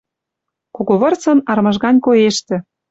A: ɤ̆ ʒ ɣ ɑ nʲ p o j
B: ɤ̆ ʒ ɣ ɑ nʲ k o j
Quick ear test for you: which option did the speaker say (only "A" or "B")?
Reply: B